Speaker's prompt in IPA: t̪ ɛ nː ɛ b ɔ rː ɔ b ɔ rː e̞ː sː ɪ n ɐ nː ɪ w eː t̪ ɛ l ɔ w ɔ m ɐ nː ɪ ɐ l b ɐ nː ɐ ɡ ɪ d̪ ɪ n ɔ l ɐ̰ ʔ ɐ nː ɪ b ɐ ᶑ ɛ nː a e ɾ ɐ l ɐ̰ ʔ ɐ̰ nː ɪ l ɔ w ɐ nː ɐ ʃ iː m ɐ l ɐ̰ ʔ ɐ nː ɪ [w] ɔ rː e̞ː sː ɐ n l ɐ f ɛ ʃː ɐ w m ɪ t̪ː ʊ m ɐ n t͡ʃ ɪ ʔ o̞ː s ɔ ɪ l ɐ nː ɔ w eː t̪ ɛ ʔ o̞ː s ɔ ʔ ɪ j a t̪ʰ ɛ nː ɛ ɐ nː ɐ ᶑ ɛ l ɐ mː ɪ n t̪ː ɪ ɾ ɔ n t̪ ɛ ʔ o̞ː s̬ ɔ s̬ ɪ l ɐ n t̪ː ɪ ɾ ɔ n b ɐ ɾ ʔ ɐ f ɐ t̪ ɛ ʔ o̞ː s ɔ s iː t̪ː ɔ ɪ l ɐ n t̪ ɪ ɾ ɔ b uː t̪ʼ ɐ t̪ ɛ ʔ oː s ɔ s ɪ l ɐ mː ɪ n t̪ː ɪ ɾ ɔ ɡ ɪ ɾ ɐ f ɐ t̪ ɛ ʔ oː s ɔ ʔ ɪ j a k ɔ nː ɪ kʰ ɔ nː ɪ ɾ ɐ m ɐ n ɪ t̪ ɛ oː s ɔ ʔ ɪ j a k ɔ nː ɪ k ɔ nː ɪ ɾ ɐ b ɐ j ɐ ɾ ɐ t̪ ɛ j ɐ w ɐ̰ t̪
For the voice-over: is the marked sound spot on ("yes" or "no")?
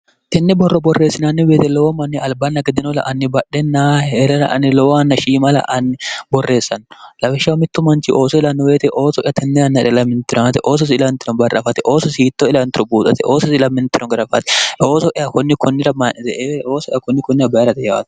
no